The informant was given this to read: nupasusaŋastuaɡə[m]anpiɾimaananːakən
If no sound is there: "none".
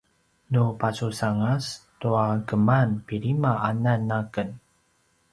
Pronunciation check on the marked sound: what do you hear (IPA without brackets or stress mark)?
m